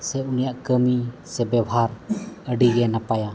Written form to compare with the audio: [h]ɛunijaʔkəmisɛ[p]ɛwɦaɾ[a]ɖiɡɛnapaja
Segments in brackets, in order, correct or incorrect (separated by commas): incorrect, incorrect, incorrect